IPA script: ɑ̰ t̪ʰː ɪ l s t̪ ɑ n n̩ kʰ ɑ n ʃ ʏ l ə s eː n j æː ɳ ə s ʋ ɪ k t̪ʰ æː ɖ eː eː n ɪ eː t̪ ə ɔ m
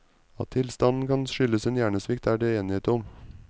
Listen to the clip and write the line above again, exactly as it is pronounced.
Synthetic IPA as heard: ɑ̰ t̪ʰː ɪ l s t̪ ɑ n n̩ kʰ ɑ n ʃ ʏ l ə s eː n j æː ɳ ə s ʋ ɪ k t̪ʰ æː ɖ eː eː n ɪ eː t̪ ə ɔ m